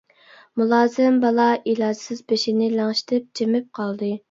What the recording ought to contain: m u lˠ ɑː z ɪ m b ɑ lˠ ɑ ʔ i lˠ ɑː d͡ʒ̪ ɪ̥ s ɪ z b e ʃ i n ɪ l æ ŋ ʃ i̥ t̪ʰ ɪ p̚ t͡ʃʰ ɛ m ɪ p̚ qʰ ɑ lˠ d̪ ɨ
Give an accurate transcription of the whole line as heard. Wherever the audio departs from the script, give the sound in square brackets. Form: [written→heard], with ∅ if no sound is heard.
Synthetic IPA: m u lˠ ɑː z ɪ m b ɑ lˠ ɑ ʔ i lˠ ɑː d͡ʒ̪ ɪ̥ s ɪ z b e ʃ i n ɪ l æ ŋ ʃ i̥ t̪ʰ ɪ p̚ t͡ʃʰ [ɛ→e] m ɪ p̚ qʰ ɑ lˠ d̪ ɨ